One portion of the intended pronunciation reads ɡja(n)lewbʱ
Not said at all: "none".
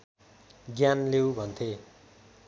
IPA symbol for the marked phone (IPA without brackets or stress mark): n